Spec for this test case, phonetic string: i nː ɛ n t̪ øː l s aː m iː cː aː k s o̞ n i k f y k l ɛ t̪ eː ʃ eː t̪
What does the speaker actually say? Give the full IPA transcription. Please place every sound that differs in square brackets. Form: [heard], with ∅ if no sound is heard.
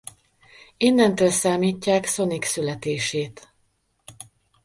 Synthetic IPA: i nː ɛ n t̪ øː l s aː m iː cː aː k s o̞ n i k [s] y [∅] l ɛ t̪ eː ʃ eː t̪